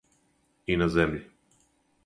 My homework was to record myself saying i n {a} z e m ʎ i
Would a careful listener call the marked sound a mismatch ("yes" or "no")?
no